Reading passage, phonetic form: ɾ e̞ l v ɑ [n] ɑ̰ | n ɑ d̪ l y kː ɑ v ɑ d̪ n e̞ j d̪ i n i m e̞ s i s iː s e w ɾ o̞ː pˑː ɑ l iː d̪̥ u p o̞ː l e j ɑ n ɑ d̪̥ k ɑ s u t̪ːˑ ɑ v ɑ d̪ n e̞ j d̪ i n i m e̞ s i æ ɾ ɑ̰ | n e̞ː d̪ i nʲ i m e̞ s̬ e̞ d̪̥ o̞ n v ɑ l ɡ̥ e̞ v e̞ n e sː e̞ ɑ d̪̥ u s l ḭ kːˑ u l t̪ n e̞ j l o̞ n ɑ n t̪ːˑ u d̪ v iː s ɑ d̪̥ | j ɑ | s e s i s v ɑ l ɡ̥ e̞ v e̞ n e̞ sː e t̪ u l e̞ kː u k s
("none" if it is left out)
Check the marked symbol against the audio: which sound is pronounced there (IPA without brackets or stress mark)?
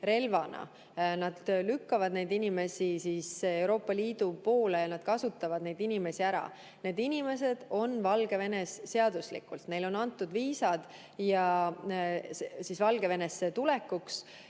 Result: n